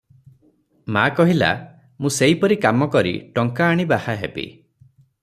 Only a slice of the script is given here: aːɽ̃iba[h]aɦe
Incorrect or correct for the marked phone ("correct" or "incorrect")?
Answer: correct